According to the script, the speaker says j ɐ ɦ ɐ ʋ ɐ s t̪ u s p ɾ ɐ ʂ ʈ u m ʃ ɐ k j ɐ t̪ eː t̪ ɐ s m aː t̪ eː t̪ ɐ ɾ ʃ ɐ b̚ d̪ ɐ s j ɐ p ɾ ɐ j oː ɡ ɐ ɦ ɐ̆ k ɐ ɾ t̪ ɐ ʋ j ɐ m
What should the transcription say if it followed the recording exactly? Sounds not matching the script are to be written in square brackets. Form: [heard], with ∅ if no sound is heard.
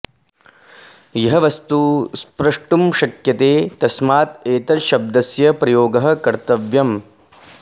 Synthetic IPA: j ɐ ɦ ɐ ʋ ɐ s t̪ u s p ɾ ɐ ʂ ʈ u m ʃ ɐ k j ɐ t̪ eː t̪ ɐ s m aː t̪ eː t̪ ɐ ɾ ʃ ɐ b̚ d̪ ɐ s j ɐ p ɾ ɐ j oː ɡ ɐ ɦ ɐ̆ k ɐ ɾ t̪ ɐ ʋ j ɐ m